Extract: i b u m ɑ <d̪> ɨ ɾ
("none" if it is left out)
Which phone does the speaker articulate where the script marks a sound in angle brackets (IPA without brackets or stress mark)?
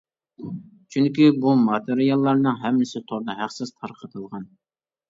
t̪